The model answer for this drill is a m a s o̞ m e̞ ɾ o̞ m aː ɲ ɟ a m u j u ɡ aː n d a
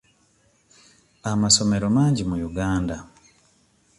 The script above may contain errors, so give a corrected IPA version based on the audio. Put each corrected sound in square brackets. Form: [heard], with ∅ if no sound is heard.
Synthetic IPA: a m a s o̞ m e̞ ɾ o̞ m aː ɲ ɟ [i] m u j u ɡ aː n d a

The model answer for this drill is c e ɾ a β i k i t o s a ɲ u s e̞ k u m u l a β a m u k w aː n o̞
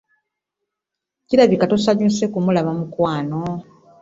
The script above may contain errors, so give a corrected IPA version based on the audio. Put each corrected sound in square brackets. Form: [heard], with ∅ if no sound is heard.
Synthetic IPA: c [i] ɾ a β i k [a] t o s a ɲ u s e̞ k u m u l a β a m u k w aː n o̞

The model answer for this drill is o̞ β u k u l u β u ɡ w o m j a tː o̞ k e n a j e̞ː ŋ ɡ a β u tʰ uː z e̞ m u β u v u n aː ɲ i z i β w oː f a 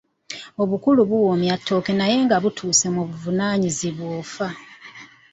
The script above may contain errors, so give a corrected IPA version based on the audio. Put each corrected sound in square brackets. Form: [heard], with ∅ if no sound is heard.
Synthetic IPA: o̞ β u k u l u β u [∅] w o m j a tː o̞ k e n a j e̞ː ŋ ɡ a β u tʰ uː [s] e̞ m u β u v u n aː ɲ i z i β w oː f a

